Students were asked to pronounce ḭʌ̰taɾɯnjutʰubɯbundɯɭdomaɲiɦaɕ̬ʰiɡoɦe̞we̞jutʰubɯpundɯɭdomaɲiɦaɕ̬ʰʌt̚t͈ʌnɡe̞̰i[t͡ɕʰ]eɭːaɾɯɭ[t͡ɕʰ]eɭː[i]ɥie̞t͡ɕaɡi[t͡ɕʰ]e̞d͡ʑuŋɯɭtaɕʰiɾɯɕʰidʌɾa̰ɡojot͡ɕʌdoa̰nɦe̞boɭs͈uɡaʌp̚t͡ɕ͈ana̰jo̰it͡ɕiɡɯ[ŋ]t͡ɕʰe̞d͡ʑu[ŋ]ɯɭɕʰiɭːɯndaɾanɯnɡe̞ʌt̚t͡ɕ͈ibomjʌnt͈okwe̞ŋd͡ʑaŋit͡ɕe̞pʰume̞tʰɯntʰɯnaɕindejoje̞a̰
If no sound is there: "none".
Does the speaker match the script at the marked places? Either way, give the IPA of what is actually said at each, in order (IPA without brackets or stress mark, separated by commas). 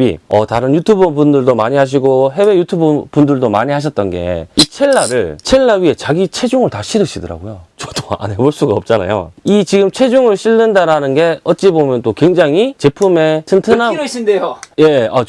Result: t͡ɕʰ, t͡ɕʰ, a, t͡ɕʰ, m, ŋ